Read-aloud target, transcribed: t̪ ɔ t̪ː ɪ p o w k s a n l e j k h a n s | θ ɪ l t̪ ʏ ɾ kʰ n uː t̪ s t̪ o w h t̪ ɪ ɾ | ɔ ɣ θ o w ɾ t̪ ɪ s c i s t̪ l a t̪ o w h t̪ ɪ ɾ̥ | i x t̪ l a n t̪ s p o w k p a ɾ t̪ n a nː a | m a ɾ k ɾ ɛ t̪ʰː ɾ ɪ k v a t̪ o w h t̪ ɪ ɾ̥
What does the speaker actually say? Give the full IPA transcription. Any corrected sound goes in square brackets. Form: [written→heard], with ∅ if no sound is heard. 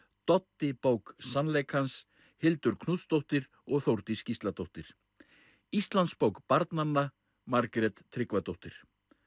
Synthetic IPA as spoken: t̪ ɔ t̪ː ɪ p o w k s a n l e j k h a n s | [θ→h] ɪ l t̪ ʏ ɾ kʰ n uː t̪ s t̪ o w h t̪ ɪ ɾ | ɔ ɣ θ o w ɾ t̪ ɪ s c i s t̪ l a t̪ o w h t̪ ɪ ɾ̥ | i [x→s] t̪ l a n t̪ s p o w k p a ɾ t̪ n a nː a | m a ɾ k ɾ ɛ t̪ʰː ɾ ɪ k v a t̪ o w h t̪ ɪ ɾ̥